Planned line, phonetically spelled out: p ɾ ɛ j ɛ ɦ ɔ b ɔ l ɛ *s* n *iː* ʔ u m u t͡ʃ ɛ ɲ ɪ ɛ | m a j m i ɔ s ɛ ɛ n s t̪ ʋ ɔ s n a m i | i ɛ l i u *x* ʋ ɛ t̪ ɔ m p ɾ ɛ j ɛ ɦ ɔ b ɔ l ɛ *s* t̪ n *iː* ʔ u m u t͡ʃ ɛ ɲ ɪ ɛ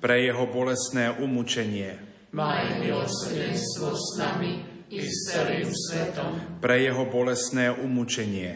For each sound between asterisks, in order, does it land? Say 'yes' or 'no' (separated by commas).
yes, no, no, yes, no